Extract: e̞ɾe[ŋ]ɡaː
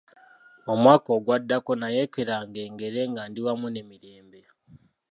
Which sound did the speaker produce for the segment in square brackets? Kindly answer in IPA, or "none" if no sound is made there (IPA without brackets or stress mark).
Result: ŋ